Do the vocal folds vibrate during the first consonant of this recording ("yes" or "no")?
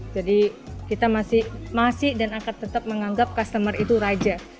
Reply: yes